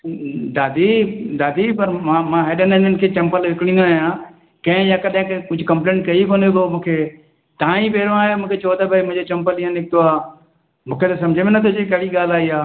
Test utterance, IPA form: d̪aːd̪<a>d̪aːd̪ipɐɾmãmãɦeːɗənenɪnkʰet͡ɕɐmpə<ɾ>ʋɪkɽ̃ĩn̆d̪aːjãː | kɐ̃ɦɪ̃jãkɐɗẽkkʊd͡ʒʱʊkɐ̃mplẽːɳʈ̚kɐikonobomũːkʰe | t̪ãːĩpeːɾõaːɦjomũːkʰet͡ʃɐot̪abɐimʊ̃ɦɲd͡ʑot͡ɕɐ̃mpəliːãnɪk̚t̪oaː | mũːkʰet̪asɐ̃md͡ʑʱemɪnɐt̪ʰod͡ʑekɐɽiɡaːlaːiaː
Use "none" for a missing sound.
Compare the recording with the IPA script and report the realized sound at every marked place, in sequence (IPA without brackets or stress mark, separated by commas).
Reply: i, l